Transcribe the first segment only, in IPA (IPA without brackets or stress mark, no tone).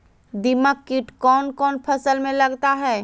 d̪